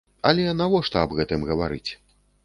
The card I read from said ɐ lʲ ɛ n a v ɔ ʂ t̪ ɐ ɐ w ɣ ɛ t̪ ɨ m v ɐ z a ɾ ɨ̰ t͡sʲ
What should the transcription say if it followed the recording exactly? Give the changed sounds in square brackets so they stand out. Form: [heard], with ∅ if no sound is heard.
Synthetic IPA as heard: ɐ lʲ ɛ n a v ɔ ʂ t̪ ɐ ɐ [b] ɣ ɛ t̪ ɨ m [ɣ] ɐ [v] a ɾ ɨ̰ t͡sʲ